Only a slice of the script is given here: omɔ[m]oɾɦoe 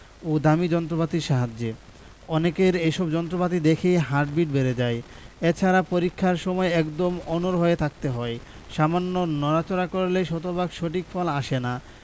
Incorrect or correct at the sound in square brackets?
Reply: incorrect: n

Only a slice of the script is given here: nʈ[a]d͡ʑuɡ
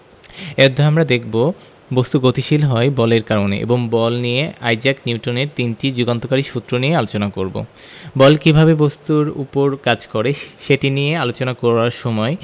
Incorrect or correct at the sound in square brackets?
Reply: incorrect: i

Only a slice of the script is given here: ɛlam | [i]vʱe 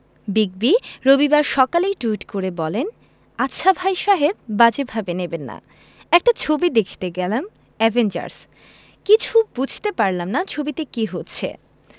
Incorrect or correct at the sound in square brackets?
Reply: incorrect: ɛ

